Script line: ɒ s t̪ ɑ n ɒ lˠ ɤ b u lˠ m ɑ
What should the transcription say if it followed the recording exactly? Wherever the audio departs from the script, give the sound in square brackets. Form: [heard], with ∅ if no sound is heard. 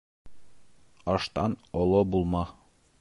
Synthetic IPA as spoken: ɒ [ʃ] t̪ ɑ n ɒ lˠ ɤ b u lˠ m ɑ